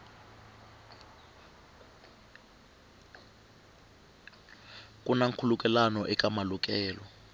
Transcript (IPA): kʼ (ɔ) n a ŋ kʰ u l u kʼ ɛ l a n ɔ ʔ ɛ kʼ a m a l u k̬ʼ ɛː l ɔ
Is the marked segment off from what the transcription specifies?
yes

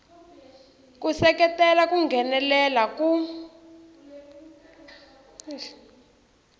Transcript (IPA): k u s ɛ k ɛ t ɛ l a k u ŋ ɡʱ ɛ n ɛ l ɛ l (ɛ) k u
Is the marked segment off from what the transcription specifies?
yes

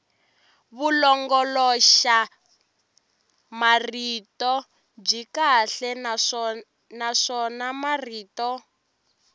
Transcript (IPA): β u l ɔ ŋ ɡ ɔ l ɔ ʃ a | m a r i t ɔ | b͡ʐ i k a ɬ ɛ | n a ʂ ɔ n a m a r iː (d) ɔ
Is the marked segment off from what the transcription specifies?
yes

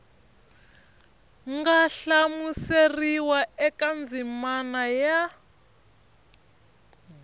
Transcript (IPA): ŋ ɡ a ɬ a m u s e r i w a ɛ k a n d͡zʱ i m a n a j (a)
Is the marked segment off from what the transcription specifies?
no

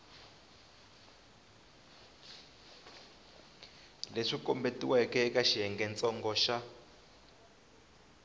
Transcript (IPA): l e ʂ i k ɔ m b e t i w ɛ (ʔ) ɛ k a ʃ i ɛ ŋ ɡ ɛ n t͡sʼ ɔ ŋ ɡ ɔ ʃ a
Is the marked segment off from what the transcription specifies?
yes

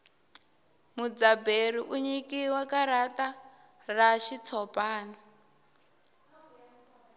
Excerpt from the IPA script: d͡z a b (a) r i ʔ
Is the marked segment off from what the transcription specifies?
yes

